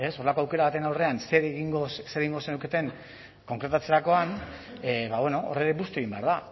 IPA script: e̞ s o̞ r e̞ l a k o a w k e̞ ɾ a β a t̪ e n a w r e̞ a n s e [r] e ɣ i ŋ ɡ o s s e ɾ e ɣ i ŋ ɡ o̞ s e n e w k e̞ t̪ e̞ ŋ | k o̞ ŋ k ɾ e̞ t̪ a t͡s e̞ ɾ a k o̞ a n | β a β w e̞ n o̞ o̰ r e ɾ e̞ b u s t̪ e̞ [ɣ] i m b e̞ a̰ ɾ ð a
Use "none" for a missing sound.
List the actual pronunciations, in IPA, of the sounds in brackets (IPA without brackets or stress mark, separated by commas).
ɾ, ɣ